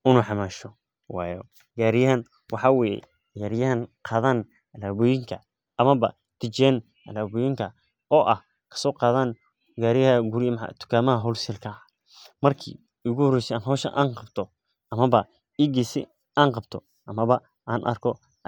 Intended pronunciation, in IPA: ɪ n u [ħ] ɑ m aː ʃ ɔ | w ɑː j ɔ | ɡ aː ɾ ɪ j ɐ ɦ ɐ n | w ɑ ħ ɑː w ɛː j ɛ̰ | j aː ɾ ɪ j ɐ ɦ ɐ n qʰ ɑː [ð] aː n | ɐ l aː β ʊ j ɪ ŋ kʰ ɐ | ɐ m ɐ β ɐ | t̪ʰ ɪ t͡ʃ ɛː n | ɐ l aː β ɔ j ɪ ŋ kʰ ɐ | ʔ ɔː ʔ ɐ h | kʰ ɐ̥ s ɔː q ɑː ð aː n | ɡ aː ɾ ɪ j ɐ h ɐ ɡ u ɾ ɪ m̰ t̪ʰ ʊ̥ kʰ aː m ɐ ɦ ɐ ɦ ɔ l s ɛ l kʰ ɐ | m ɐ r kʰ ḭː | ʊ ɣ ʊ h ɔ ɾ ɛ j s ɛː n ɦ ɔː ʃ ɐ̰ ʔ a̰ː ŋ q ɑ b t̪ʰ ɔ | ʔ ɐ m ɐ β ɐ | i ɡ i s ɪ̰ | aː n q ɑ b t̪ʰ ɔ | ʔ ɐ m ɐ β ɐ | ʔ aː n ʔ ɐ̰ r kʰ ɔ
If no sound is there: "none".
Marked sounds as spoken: ħ, ð

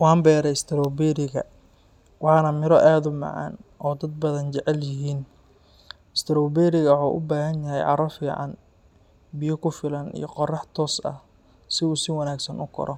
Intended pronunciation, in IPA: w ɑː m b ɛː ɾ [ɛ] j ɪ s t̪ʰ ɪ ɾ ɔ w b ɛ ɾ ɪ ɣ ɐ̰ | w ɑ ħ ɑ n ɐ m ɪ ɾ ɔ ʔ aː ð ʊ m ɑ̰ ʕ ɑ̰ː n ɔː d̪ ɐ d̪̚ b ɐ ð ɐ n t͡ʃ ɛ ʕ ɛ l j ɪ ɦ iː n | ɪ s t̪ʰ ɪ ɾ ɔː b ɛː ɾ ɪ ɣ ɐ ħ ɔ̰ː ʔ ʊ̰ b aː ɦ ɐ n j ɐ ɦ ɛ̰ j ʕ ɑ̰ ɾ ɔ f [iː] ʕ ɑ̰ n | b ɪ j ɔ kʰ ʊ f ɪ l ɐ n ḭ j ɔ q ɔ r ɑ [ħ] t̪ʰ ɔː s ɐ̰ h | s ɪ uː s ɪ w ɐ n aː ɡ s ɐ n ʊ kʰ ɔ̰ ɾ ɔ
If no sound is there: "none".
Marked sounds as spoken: ɛ, iː, ħ

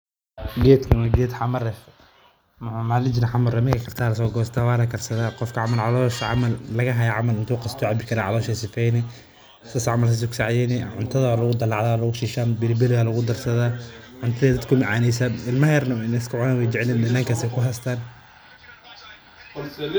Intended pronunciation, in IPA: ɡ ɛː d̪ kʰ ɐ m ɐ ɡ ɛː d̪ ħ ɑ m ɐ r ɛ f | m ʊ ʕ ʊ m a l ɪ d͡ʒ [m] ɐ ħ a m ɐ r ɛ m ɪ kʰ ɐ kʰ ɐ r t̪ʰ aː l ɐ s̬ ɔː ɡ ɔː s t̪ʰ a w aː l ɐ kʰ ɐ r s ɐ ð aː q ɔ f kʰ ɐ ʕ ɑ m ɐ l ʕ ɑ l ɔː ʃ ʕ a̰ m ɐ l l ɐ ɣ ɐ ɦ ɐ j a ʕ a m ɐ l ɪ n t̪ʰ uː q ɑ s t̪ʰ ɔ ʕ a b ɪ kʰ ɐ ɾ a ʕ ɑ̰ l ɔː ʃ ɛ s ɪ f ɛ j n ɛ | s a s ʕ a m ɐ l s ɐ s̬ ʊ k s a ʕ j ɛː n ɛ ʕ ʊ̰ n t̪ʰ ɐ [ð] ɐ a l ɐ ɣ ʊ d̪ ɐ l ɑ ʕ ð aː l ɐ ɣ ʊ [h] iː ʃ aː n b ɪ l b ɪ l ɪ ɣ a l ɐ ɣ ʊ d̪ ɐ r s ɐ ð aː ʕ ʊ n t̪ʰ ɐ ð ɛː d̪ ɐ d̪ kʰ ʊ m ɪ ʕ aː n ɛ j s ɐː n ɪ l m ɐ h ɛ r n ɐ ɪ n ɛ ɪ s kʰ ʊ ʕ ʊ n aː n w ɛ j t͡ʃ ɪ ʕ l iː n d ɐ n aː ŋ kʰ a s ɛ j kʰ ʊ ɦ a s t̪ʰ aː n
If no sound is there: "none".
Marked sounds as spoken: n, ð, ʃ

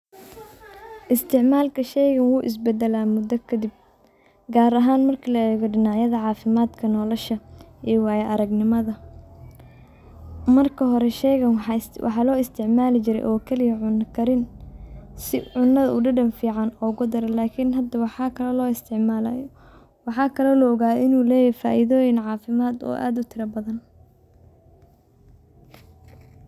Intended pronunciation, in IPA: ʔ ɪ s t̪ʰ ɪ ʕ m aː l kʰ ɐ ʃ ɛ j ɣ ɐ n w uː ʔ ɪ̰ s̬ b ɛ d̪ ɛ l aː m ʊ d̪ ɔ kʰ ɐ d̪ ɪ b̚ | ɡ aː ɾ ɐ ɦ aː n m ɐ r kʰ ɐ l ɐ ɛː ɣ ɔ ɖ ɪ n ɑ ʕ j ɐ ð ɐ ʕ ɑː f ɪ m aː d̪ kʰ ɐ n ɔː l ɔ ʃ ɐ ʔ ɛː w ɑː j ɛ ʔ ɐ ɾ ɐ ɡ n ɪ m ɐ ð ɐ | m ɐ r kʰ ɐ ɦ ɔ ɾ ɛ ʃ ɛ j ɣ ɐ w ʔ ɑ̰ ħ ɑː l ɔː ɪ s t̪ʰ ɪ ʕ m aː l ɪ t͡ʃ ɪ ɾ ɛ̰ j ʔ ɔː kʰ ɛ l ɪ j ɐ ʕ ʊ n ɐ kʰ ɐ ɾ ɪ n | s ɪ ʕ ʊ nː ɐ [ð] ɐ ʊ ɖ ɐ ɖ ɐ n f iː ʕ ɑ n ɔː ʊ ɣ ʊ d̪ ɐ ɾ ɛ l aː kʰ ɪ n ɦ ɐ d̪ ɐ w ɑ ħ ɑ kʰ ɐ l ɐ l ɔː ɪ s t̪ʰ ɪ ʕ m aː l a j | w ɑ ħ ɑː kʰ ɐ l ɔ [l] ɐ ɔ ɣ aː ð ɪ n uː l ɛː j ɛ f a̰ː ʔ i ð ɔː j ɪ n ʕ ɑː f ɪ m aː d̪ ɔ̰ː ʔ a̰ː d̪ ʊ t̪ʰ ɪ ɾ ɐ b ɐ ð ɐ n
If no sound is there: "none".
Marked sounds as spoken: ð, l

